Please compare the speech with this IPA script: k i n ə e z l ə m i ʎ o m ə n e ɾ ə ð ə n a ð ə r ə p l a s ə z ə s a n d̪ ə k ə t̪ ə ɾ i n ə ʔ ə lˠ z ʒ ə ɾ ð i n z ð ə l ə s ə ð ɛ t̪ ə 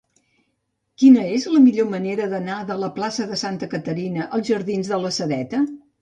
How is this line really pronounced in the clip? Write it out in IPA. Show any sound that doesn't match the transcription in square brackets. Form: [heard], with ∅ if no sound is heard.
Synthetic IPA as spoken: k i n ə e z l ə m i ʎ o m ə n e ɾ ə ð ə n a ð ə [l] ə p l a s ə [ð] ə s a n [t̪] ə k ə t̪ ə ɾ i n ə ʔ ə lˠ z ʒ ə ɾ ð i n z ð ə l ə s ə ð ɛ t̪ ə